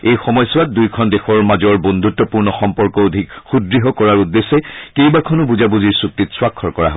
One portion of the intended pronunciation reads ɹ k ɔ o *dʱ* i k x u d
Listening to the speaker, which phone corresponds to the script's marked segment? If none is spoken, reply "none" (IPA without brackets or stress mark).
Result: dʱ